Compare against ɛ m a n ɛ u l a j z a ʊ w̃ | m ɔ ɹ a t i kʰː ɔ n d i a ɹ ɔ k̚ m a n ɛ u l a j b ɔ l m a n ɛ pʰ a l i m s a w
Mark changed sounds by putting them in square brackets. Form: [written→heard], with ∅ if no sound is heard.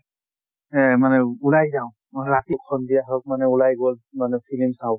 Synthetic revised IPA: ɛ m a n ɛ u l a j z a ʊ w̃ | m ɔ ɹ a t i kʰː ɔ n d i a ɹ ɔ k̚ m a n ɛ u l a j [b→ɡ] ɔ l m a n ɛ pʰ [a→i] l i m s a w